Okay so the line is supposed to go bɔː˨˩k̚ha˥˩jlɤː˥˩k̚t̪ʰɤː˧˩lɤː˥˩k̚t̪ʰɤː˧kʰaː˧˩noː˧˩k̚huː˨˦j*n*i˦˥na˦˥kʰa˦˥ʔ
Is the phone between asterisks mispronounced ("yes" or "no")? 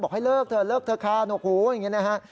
yes